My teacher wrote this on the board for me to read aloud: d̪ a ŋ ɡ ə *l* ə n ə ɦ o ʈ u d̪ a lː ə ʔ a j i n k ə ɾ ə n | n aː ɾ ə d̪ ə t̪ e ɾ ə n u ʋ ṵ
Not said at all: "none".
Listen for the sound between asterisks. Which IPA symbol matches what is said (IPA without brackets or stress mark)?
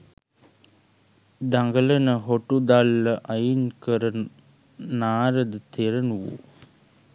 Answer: l